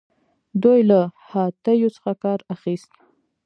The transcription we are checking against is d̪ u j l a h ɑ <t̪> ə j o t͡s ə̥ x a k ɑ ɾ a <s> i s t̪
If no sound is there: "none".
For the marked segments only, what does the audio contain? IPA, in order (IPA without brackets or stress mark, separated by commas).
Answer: t̪, x